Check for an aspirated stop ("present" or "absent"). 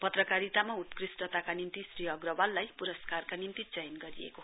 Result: absent